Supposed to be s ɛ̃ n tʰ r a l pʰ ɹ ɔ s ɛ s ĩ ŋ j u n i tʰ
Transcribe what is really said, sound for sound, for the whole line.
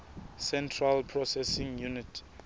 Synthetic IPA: s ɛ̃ n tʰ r a l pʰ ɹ ɔ s ɛ s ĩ ŋ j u n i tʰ